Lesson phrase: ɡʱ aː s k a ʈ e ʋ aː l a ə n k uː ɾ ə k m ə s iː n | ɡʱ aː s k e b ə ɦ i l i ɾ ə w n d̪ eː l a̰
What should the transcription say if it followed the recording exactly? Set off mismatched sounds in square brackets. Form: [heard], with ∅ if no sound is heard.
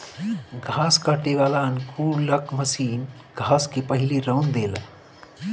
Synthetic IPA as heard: ɡʱ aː s k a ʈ e ʋ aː l a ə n k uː [l] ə k m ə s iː n | ɡʱ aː s k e [p] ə ɦ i l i ɾ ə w n d̪ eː l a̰